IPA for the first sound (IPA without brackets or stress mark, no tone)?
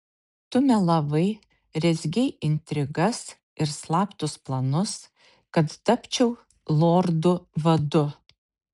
t̪